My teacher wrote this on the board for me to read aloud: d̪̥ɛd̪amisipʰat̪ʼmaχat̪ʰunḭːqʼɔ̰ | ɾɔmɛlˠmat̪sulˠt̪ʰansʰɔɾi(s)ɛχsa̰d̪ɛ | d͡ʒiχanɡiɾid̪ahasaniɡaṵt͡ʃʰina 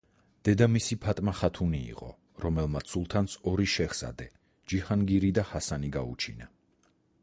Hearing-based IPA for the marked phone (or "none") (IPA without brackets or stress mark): ʃ